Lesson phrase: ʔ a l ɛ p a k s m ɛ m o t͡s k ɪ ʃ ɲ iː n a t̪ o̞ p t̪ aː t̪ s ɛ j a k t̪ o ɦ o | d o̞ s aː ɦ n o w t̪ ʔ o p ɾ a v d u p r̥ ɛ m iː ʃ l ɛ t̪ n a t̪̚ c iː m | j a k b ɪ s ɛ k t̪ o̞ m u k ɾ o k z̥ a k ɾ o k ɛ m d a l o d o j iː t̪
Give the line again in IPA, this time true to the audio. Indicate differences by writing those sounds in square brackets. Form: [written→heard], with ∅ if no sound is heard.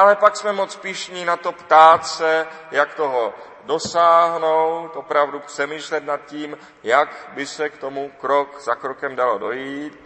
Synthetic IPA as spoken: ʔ a l ɛ p a k s m ɛ m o t͡s [k→p] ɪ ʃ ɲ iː n a t̪ o̞ p t̪ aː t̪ s ɛ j a k t̪ o ɦ o | d o̞ s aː ɦ n o w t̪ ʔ o p ɾ a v d u p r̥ ɛ m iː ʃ l ɛ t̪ n a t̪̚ c iː m | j a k b ɪ s ɛ k t̪ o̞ m u k ɾ o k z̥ a k ɾ o k ɛ m d a l o d o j iː t̪